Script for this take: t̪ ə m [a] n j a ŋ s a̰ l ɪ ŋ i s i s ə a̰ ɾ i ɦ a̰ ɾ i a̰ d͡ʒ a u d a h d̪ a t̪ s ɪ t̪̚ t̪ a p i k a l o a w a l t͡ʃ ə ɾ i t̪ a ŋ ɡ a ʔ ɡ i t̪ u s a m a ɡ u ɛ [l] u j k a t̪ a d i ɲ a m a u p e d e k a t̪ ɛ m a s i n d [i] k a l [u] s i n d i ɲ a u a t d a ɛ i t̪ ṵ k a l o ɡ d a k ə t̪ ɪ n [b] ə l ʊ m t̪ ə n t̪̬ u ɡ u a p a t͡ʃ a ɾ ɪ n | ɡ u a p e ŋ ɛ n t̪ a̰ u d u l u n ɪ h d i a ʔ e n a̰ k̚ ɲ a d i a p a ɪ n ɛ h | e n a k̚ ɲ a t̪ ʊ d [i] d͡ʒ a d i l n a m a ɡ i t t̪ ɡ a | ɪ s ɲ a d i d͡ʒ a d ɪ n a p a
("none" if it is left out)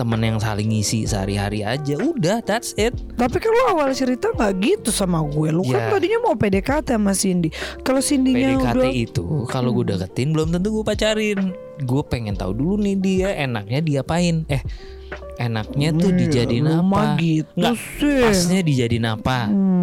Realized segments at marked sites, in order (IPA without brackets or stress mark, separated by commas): ə, l, i, o, b, i